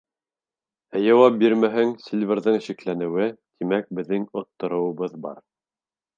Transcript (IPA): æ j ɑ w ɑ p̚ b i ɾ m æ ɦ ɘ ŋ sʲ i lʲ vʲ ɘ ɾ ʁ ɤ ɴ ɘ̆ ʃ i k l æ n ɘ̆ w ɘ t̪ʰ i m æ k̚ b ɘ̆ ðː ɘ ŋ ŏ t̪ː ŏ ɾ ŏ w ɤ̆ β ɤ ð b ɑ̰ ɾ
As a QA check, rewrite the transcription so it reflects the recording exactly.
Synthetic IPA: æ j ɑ w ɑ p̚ b i ɾ m æ ɦ ɘ ŋ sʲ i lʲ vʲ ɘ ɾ ð ɤ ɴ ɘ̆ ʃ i k l æ n ɘ̆ w ɘ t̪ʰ i m æ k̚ b ɘ̆ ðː ɘ ŋ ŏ t̪ː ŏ ɾ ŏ w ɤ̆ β ɤ ð b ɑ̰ ɾ